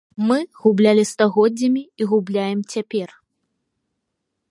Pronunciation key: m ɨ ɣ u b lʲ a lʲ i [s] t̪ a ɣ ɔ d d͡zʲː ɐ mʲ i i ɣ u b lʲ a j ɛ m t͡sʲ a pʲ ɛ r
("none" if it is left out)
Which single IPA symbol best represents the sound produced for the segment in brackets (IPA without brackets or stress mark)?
s